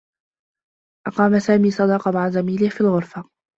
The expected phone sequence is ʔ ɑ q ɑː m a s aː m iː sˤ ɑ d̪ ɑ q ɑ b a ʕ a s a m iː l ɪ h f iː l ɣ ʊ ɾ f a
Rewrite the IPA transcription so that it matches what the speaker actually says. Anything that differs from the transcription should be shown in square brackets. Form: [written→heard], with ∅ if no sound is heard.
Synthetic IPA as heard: ʔ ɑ q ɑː m a s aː m iː sˤ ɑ d̪ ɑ q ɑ [b→m] a ʕ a [s→z] a m iː l ɪ h f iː l ɣ ʊ ɾ f a